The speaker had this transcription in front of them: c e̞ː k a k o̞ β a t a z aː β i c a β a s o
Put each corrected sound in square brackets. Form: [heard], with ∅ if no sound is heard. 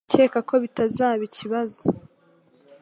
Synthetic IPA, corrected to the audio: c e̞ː k a k o̞ β [i] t a z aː β i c [i] β a [z] o